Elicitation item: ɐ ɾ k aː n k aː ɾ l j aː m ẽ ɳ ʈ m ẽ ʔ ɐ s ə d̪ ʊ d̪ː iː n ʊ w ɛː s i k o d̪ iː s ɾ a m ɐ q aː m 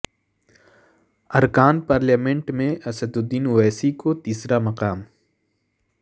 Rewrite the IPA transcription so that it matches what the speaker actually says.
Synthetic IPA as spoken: ɐ ɾ k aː n p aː ɾ l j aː m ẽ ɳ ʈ m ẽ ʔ ɐ s ə d̪ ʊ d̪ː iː n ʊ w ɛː s i k o t̪ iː s ɾ a m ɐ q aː m